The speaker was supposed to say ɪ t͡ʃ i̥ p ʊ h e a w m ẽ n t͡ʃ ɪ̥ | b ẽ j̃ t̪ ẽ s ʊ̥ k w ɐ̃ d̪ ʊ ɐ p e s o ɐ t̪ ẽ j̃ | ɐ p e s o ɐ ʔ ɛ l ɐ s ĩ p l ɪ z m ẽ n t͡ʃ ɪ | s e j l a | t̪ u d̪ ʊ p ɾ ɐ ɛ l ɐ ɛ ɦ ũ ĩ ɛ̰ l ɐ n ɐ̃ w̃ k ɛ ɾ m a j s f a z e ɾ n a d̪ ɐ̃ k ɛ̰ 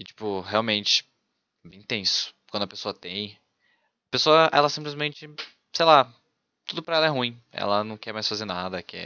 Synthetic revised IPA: ɪ t͡ʃ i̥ p ʊ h e a w m ẽ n t͡ʃ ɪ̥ | b ẽ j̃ t̪ ẽ s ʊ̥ k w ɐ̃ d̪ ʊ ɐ p e s o ɐ t̪ ẽ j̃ | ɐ p e s o ɐ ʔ ɛ l ɐ s ĩ p l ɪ z m ẽ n t͡ʃ ɪ | s e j l a | t̪ u d̪ ʊ p ɾ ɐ ɛ l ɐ ɛ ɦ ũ ĩ ɛ̰ l ɐ n ɐ̃ w̃ k ɛ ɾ m a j s f a z e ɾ n a d̪ ɐ k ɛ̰